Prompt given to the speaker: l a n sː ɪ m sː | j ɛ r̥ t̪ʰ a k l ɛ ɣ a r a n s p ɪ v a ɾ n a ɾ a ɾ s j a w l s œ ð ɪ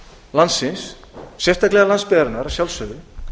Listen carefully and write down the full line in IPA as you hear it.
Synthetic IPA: l a n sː ɪ n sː | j ɛ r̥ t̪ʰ a k l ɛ ɣ a l a n s p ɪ ð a ɾ n a ɾ a s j a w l s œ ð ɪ